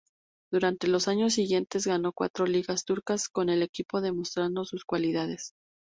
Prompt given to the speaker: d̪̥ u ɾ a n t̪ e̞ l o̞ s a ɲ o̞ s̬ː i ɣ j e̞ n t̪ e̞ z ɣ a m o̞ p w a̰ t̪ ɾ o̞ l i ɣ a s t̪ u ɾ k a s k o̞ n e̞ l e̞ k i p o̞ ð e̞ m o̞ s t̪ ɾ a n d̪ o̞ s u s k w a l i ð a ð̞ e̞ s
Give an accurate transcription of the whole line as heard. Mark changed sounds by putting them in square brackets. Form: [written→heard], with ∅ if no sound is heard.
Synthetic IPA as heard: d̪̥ u ɾ a n t̪ e̞ l o̞ s a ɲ o̞ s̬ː i ɣ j e̞ n t̪ e̞ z ɣ a [m→n] o̞ [p→k] w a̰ t̪ ɾ o̞ l i ɣ a s t̪ u ɾ k a s k o̞ n e̞ l e̞ k i p o̞ ð e̞ m o̞ s t̪ ɾ a n d̪ o̞ s u s k w a l i ð a ð̞ e̞ s

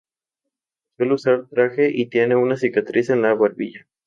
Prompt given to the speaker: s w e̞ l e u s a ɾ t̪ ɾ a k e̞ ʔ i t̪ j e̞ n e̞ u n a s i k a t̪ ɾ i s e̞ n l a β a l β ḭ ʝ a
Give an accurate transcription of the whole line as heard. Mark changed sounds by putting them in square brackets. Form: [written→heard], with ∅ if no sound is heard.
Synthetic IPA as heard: s w e̞ l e u s a ɾ t̪ ɾ a [k→x] e̞ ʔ i t̪ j e̞ n e̞ u n a s i k a t̪ ɾ i s e̞ n l a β a [l→ɾ] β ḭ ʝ a

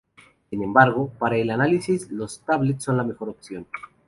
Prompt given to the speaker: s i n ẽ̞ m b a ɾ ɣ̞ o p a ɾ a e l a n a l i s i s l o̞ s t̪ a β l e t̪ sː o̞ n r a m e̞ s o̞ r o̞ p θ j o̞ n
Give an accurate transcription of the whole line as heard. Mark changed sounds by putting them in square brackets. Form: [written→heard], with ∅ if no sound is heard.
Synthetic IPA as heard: s i n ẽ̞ m b a ɾ ɣ̞ o p a ɾ a e l a n a l i s i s l o̞ s t̪ a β l e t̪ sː o̞ n [r→l] a m e̞ [s→x] o̞ [r→ɾ] o̞ p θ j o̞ n

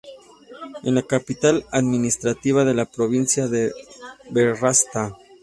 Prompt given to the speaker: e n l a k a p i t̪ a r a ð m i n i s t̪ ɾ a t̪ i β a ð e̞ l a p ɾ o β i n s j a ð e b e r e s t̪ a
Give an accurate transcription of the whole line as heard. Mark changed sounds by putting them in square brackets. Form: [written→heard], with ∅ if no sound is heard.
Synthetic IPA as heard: e n l a k a p i t̪ a [r→l] a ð m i n i s t̪ ɾ a t̪ i β a ð e̞ l a p ɾ o β i n s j a ð e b e r [e→a] s t̪ a

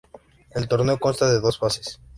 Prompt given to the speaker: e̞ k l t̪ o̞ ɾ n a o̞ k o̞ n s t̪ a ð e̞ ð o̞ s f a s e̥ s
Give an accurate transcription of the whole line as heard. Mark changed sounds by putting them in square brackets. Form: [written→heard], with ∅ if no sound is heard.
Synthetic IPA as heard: e̞ [k→∅] l t̪ o̞ ɾ n [a→e] o̞ k o̞ n s t̪ a ð e̞ ð o̞ s f a s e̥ s

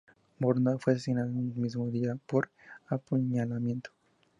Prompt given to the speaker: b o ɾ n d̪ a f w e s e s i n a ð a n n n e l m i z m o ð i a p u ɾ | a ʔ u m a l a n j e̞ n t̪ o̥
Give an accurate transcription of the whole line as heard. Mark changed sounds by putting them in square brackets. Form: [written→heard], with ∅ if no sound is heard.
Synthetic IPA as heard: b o ɾ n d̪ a f w e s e s i n a ð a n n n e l m i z m o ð i a p [u→o] ɾ | a [ʔ→p] u [m→ɲ] a l a [n→m] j e̞ n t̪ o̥

